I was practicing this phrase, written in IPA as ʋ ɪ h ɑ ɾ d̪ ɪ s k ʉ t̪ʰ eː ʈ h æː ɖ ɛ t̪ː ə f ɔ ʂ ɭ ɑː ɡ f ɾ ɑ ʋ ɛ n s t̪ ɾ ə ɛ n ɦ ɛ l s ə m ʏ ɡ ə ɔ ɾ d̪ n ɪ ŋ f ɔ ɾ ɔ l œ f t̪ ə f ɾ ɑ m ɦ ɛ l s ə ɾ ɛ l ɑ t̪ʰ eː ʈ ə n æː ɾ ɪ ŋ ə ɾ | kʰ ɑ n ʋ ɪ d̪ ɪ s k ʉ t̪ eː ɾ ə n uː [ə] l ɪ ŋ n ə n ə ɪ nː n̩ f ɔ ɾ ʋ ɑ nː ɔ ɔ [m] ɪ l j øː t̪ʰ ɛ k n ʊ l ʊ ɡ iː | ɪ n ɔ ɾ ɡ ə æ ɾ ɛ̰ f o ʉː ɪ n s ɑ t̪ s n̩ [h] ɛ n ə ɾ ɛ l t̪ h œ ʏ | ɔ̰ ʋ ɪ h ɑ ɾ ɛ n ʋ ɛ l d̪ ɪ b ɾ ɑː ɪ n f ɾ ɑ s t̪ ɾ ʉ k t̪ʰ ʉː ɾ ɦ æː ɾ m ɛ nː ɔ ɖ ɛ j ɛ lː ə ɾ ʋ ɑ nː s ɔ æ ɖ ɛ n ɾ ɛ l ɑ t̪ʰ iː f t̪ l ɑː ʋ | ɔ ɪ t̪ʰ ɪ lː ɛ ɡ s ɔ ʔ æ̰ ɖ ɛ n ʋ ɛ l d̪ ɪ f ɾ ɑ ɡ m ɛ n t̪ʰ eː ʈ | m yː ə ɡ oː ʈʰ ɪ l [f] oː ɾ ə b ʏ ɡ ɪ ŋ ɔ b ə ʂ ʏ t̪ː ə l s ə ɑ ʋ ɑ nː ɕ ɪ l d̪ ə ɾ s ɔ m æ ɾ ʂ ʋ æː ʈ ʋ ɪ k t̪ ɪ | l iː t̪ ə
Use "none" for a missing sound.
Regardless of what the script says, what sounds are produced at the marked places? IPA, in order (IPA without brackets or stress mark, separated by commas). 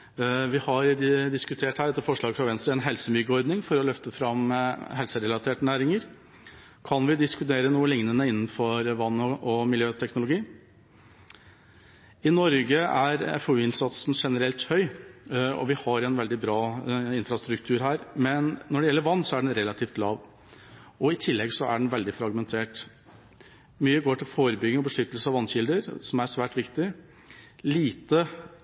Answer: ə, m, ʂ, f